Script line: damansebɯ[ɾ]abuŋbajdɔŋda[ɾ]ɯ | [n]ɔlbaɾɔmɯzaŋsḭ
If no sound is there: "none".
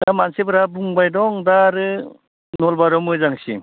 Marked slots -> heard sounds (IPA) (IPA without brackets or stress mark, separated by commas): ɾ, ɾ, n